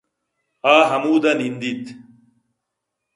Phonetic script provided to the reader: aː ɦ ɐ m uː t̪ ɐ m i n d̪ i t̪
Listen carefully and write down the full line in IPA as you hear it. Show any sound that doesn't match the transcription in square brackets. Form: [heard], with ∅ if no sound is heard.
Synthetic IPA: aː ɦ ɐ m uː [d̪] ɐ [n] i n d̪ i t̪